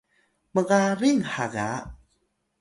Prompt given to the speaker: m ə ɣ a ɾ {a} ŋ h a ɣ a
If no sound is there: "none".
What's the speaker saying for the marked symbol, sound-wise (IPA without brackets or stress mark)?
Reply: i